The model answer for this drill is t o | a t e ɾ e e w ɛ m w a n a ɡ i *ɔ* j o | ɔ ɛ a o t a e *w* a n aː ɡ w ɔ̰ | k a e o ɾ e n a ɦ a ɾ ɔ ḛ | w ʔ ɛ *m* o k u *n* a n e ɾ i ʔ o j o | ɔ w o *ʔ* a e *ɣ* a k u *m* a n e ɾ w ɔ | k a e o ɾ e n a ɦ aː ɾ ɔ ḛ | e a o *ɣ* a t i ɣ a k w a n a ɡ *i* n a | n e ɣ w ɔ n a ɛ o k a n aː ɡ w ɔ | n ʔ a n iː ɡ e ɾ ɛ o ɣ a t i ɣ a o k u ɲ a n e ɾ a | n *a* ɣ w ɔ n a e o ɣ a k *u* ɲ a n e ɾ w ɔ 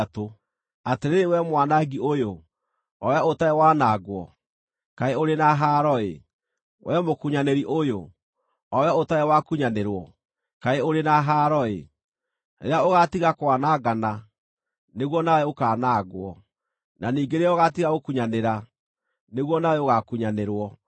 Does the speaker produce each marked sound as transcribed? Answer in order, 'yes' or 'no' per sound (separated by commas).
no, yes, yes, no, no, no, no, yes, no, no, yes